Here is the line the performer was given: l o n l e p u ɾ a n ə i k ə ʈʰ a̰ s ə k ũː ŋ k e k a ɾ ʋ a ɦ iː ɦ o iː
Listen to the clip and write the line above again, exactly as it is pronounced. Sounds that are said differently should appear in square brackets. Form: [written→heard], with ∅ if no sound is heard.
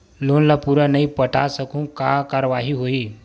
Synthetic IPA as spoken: l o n l [e→a] p u ɾ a n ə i [k→p] ə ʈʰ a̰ s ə k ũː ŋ k [e→a] k a ɾ ʋ a ɦ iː ɦ o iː